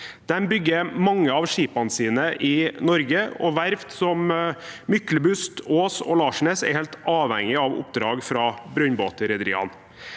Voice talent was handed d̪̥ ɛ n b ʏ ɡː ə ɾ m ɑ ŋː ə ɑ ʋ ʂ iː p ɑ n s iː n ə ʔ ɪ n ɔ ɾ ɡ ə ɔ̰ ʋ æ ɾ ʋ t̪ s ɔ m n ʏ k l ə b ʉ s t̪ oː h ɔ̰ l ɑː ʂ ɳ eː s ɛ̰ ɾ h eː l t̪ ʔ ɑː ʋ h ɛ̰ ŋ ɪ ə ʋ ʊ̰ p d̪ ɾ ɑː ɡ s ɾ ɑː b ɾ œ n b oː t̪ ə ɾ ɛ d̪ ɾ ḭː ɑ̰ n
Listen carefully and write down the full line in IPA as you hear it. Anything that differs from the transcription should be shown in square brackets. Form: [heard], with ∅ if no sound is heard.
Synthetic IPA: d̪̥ ɛ n b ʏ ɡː ə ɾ m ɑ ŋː ə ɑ ʋ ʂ iː p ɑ n s iː n ə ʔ ɪ n ɔ ɾ ɡ ə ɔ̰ ʋ æ ɾ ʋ t̪ s ɔ m [m] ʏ k l ə b ʉ s t̪ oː [s] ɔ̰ l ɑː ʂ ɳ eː s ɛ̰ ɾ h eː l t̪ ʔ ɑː ʋ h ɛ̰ ŋ ɪ [ɑ] ʋ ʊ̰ p d̪ ɾ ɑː ɡ [f] ɾ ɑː b ɾ œ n b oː t̪ ə ɾ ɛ d̪ ɾ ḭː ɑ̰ n